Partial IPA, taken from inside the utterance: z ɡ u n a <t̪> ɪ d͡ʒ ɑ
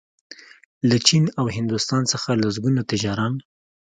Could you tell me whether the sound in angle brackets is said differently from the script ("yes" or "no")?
no